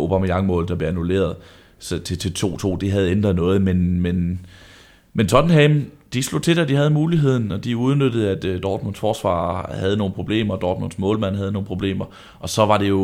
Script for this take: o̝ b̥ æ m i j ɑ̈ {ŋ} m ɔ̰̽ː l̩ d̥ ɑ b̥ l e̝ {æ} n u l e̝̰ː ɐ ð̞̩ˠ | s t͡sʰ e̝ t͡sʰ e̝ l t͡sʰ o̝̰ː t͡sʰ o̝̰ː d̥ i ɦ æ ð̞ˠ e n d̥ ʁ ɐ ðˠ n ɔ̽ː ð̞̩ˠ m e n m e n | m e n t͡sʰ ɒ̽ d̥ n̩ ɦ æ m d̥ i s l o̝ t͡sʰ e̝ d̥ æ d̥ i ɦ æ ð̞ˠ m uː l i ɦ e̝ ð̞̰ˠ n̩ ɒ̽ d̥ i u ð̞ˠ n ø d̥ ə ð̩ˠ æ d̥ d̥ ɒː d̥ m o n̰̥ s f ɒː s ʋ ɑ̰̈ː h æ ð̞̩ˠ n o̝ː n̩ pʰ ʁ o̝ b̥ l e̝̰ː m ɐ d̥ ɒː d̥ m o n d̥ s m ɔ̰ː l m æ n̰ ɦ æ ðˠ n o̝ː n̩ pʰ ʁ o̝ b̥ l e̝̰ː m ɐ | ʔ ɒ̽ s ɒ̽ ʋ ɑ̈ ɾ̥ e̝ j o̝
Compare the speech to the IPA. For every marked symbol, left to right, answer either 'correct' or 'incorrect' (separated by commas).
correct, correct